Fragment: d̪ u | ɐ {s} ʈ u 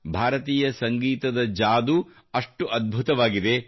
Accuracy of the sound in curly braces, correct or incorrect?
incorrect